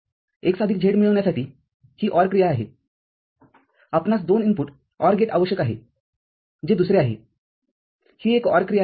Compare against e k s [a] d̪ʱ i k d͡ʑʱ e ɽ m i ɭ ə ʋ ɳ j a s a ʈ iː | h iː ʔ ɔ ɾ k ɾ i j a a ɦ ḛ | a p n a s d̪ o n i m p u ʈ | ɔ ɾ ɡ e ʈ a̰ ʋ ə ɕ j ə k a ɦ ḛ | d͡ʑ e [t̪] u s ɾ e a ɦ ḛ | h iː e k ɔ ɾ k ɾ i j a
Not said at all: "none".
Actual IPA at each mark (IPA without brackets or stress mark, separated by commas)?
a, d̪